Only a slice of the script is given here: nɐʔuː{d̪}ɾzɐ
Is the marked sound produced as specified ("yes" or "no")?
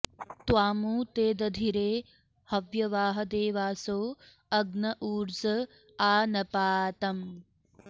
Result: no